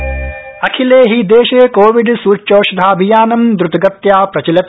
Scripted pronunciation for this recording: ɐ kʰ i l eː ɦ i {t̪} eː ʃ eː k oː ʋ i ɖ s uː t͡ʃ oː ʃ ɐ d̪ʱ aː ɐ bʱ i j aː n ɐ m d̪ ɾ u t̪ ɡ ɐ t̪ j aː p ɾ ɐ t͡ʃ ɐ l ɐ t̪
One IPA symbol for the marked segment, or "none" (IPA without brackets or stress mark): d̪